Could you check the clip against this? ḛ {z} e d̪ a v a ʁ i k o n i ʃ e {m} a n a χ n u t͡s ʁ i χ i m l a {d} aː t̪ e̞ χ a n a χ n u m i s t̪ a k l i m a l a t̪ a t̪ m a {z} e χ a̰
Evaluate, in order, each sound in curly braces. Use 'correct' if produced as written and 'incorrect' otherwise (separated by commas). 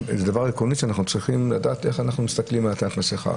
correct, incorrect, correct, incorrect